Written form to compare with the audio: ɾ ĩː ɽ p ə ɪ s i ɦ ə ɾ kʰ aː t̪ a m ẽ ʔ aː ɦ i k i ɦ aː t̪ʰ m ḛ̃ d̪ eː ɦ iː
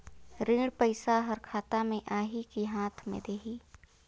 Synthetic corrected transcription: ɾ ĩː ɽ p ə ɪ s a ɦ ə ɾ kʰ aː t̪ a m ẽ ʔ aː ɦ i k i ɦ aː t̪ʰ m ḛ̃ d̪ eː ɦ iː